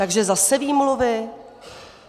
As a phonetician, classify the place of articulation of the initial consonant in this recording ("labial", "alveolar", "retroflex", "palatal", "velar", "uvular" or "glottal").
velar